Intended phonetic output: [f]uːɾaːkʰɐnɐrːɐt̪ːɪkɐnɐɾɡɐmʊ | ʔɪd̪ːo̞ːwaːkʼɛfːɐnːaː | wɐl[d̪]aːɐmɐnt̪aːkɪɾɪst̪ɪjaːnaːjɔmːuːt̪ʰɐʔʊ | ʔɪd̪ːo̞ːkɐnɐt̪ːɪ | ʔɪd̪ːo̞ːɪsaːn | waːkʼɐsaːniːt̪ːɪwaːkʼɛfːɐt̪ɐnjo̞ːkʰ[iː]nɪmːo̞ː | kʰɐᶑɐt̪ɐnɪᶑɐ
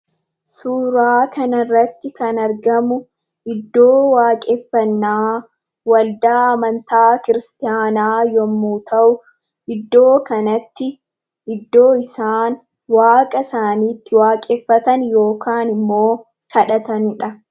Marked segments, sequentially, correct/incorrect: incorrect, correct, incorrect

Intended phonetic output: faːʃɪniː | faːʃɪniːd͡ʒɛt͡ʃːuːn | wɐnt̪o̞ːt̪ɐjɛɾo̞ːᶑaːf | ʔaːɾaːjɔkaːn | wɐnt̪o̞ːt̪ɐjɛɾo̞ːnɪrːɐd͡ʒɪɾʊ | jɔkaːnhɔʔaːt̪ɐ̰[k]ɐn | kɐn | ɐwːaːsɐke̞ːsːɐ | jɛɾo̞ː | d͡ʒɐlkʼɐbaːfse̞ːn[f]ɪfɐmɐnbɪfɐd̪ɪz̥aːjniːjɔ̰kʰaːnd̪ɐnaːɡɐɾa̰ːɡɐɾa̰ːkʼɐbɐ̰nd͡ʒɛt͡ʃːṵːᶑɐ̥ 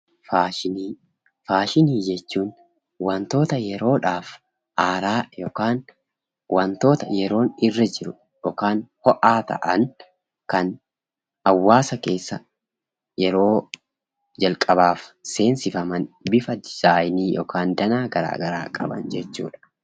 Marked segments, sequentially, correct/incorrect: incorrect, incorrect

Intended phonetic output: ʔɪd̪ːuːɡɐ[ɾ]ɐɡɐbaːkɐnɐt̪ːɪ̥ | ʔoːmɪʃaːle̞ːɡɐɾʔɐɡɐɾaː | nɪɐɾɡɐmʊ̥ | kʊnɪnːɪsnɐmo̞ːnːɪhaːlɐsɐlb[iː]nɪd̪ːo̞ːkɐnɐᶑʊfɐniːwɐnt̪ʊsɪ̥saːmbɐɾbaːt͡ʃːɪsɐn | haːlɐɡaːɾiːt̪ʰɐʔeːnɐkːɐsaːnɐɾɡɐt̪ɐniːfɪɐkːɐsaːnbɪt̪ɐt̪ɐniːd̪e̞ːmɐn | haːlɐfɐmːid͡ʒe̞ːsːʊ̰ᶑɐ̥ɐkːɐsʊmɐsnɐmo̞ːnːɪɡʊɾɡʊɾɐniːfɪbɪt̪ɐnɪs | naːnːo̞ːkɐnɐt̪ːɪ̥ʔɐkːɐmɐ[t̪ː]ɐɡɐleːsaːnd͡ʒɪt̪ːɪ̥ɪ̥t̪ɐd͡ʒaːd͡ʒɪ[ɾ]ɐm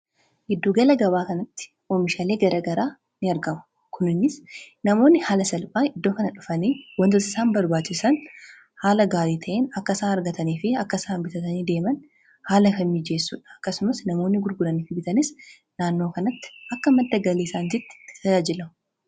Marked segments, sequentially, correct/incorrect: incorrect, incorrect, incorrect, incorrect

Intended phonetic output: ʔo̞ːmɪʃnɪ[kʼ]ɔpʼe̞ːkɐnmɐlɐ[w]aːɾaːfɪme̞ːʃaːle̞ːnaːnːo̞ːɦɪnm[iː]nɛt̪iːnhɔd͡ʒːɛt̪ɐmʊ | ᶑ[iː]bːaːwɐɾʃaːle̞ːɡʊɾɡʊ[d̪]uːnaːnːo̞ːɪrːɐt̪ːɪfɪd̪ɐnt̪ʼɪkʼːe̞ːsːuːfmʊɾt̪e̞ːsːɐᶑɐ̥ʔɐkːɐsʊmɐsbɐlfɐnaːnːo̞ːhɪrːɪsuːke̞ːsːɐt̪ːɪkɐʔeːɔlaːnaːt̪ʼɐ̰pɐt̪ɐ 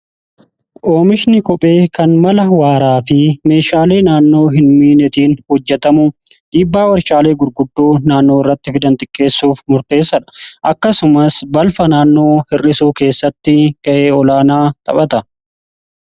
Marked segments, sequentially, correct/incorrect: incorrect, correct, correct, correct, incorrect

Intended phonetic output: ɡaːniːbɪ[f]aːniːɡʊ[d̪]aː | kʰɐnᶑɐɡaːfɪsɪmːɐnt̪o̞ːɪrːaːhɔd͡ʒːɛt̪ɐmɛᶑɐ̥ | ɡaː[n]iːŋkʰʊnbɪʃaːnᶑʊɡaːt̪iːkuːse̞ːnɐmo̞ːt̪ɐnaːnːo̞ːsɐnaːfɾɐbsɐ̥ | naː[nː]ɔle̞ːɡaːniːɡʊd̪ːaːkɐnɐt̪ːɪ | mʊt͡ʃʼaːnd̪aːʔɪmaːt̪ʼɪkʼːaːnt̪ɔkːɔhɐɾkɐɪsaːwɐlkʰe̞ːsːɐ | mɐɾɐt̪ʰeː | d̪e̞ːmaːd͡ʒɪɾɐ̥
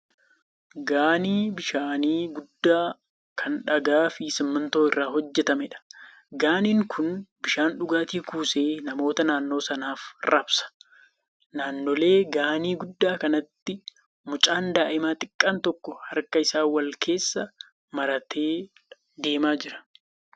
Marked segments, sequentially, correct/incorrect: incorrect, incorrect, correct, correct

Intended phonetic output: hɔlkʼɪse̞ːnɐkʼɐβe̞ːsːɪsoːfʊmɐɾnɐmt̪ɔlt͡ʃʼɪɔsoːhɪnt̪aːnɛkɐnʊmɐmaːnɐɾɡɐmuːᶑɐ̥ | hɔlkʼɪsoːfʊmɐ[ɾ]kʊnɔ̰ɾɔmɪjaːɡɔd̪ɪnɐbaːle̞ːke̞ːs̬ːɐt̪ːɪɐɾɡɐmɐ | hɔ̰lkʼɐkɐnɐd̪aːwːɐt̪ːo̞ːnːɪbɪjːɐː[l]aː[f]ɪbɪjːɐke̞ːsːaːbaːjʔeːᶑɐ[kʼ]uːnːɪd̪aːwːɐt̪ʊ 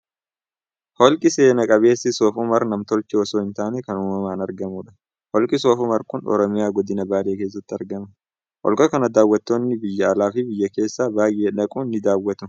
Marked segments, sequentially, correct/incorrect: correct, correct, correct, correct

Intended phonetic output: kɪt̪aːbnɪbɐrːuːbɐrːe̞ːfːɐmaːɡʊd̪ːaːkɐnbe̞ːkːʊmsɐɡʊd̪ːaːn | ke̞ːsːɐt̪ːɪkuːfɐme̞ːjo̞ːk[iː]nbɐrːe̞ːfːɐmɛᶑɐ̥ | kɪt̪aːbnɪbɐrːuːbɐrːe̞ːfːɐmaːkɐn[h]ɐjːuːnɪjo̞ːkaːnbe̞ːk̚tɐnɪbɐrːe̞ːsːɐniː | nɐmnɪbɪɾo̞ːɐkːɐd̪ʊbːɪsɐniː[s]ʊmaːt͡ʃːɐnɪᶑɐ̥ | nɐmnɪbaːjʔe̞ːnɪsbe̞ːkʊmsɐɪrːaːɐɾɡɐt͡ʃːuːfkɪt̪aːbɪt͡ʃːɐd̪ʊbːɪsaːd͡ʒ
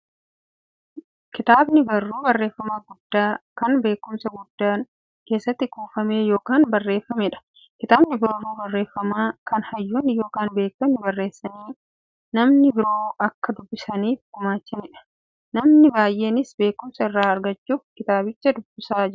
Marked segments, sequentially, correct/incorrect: incorrect, correct, incorrect

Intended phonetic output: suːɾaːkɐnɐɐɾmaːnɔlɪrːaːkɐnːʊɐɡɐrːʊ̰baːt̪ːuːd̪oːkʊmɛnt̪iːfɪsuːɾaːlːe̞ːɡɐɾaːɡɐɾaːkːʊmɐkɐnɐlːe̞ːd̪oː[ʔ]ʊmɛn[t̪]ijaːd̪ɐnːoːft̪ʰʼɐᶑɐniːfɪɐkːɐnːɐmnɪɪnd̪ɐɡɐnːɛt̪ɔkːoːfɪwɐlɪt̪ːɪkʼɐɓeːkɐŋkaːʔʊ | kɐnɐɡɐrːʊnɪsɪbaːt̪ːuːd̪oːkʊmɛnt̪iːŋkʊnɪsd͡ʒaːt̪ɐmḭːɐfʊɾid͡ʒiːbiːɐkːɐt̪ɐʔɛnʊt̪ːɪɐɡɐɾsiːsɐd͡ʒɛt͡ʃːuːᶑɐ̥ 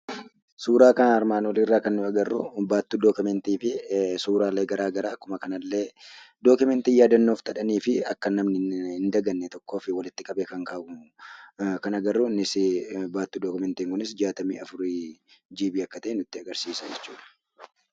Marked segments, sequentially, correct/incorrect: incorrect, correct

